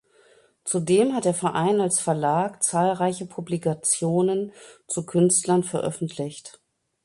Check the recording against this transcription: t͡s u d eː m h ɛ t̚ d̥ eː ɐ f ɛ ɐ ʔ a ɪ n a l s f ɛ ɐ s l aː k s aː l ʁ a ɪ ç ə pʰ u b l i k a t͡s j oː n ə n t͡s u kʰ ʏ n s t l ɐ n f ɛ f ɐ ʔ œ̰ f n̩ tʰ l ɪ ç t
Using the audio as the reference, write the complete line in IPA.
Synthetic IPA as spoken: t͡s u d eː m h a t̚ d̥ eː ɐ f ɛ ɐ ʔ a ɪ n a l s f ɛ ɐ l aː k t͡s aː l ʁ a ɪ ç ə pʰ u b l i k a t͡s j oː n ə n t͡s u kʰ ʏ n s t l ɐ n f ɛ ɐ ʔ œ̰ f n̩ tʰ l ɪ ç t

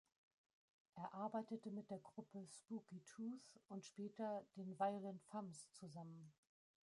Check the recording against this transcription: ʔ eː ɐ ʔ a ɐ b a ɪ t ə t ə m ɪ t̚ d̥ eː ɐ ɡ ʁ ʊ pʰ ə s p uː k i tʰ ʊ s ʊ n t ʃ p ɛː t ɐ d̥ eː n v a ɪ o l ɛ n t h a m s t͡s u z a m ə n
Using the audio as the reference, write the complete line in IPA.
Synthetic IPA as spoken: ʔ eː ɐ ʔ a ɐ b a ɪ t ə t ə m ɪ t̚ d̥ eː ɐ ɡ ʁ ʊ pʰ ə s p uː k i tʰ u s ʊ n t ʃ p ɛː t ɐ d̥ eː n v a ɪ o l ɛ n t f a m s t͡s u z a m ə n

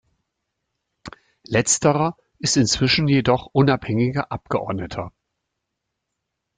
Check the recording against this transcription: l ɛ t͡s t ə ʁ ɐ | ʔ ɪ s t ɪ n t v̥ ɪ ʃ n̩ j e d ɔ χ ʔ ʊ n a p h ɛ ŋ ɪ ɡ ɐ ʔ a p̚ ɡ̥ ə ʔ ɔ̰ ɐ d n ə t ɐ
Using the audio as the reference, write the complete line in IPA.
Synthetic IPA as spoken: l ɛ t͡s t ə ʁ ɐ | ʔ ɪ s t ɪ n t͡s v̥ ɪ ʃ n̩ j e d ɔ χ ʔ ʊ n a p h ɛ ŋ ɪ ɡ ɐ ʔ a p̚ ɡ̥ ə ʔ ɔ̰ ɐ d n ə tʰ ɐ

